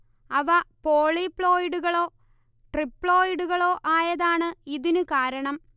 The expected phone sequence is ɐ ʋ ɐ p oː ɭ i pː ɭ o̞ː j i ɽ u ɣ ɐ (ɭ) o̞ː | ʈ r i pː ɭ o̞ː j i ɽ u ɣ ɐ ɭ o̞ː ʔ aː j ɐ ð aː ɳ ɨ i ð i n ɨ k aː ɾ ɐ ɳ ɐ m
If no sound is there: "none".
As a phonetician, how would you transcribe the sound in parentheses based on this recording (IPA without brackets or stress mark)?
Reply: ɭ